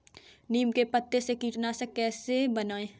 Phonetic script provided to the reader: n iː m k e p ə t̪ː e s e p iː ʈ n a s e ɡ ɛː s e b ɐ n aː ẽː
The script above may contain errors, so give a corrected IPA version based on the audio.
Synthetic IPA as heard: n iː m k e p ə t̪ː e s e k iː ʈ n a s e k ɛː s e b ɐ n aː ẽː